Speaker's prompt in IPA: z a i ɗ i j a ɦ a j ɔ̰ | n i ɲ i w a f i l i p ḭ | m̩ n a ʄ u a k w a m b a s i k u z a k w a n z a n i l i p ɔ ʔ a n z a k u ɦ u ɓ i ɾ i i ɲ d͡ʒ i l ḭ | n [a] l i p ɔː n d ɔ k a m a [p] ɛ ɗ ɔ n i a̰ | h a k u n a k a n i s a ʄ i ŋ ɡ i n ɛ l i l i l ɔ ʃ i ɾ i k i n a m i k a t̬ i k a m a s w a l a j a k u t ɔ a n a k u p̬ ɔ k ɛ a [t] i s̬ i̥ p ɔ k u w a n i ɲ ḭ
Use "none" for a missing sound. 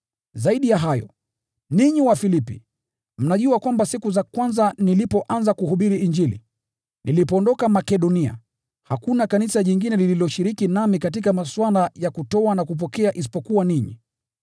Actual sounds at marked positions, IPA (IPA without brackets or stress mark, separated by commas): i, k, ʔ